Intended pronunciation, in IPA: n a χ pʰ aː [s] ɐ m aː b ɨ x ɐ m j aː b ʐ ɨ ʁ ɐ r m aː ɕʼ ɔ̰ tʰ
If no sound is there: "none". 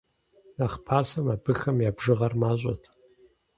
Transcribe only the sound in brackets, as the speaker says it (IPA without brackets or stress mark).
s